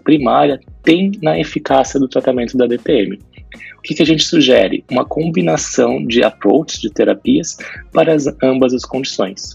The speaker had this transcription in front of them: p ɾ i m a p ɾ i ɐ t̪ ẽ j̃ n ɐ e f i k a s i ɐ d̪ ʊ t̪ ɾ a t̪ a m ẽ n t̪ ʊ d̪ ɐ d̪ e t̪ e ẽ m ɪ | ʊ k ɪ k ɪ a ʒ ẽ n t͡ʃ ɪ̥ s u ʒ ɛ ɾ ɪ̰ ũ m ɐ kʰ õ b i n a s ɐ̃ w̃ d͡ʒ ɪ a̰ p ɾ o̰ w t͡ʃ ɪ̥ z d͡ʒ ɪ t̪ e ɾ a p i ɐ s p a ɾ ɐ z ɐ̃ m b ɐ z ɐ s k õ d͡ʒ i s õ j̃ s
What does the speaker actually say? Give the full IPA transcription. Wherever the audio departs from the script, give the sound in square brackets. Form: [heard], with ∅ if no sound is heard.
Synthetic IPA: p ɾ i m a [∅] ɾ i ɐ t̪ ẽ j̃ n ɐ e f i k a s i ɐ d̪ ʊ t̪ ɾ a t̪ a m ẽ n t̪ ʊ d̪ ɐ d̪ e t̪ e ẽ m ɪ | ʊ k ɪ k ɪ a ʒ ẽ n t͡ʃ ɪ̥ s u ʒ ɛ ɾ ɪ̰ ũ m ɐ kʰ õ b i n a s ɐ̃ w̃ d͡ʒ ɪ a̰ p ɾ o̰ w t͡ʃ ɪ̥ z d͡ʒ ɪ t̪ e ɾ a p i ɐ s p a ɾ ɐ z ɐ̃ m b ɐ z ɐ s k õ d͡ʒ i s õ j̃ s